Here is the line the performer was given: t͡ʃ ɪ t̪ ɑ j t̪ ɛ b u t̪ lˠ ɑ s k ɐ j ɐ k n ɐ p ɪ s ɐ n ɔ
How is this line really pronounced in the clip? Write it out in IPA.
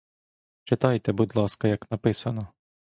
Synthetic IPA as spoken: t͡ʃ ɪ t̪ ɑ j t̪ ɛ b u d̪ lˠ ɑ s k ɐ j ɐ k n ɐ p ɪ s ɐ n ɔ